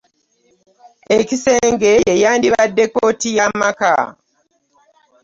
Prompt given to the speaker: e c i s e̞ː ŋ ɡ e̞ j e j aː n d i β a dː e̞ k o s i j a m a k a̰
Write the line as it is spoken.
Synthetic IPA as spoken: e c i s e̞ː ŋ ɡ e̞ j e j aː n d i β a dː e̞ k o t i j a m a k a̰